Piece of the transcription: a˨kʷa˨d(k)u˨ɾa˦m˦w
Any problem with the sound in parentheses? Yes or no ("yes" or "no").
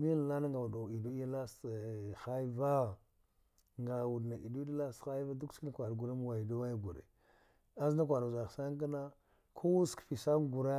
yes